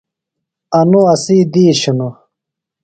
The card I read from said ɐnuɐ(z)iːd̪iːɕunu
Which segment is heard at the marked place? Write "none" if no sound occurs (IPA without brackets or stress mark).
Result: s